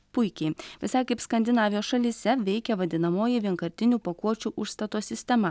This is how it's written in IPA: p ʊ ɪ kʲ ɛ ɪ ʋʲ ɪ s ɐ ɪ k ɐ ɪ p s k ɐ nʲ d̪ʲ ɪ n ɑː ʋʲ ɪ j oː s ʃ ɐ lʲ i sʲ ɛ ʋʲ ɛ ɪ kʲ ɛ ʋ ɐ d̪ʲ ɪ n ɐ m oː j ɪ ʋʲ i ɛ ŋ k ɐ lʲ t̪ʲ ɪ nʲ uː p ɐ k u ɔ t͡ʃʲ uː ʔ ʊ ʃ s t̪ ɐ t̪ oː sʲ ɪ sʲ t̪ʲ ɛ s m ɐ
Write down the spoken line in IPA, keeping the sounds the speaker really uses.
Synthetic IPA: p ʊ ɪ kʲ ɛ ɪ ʋʲ ɪ s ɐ ɪ k ɐ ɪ p s k ɐ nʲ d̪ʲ ɪ n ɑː ʋʲ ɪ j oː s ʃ ɐ lʲ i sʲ ɛ ʋʲ ɛ ɪ kʲ ɛ ʋ ɐ d̪ʲ ɪ n ɐ m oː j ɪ ʋʲ i ɛ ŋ k ɐ ɾʲ t̪ʲ ɪ nʲ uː p ɐ k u ɔ t͡ʃʲ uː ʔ ʊ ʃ s t̪ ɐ t̪ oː sʲ ɪ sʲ t̪ʲ ɛ m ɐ

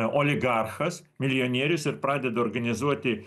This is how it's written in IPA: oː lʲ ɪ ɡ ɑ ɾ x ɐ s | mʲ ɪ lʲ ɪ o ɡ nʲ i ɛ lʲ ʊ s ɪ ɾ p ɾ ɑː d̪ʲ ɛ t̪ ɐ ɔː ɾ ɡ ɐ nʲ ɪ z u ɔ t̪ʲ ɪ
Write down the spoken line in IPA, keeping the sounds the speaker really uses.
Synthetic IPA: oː lʲ ɪ ɡ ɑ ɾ x ɐ s | mʲ ɪ lʲ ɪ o nʲ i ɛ ɾʲ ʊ s ɪ ɾ p ɾ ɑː d̪ʲ ɛ d̪ ɐ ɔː ɾ ɡ ɐ nʲ ɪ z u ɔ t̪ʲ ɪ

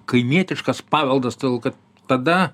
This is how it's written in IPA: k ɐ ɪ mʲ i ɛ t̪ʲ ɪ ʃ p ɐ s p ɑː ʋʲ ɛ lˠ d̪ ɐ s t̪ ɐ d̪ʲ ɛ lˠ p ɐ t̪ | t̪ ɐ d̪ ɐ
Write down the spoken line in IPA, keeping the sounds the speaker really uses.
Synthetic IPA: k ɐ ɪ mʲ i ɛ t̪ʲ ɪ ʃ k ɐ s p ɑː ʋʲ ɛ lˠ d̪ ɐ s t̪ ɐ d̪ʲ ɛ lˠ k ɐ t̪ | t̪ ɐ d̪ ɐ

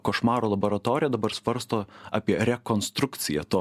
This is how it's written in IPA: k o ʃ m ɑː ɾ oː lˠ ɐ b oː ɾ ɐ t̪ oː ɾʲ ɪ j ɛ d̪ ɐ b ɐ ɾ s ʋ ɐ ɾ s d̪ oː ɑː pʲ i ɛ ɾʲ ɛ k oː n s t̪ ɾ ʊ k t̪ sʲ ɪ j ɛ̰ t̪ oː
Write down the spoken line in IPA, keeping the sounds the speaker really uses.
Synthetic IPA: k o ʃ m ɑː ɾ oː lˠ ɐ b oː ɾ ɐ t̪ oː ɾʲ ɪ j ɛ d̪ ɐ b ɐ ɾ s ʋ ɐ ɾ s t̪ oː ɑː pʲ i ɛ ɾʲ ɛ k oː n s t̪ ɾ ʊ k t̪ sʲ ɪ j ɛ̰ t̪ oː

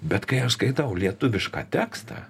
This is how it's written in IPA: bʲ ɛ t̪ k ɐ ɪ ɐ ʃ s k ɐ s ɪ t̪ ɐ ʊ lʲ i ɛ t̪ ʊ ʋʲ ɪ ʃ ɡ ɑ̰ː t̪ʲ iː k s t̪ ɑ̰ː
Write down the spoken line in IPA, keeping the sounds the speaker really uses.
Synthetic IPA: bʲ ɛ t̪ k ɐ ɪ ɐ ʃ s k ɐ ɪ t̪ ɐ ʊ lʲ i ɛ t̪ ʊ ʋʲ ɪ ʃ k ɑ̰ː t̪ʲ æː k s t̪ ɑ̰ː

